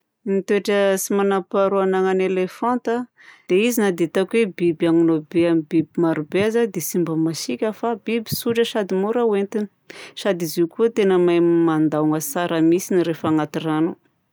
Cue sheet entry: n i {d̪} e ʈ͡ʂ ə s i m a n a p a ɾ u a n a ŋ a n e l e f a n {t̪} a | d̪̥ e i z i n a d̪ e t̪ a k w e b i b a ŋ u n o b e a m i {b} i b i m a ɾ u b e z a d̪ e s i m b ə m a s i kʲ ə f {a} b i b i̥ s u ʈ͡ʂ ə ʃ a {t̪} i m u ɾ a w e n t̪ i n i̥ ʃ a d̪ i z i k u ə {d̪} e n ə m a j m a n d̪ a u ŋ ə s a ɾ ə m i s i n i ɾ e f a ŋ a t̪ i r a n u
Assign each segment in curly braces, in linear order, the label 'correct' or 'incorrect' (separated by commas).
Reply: incorrect, correct, correct, correct, incorrect, incorrect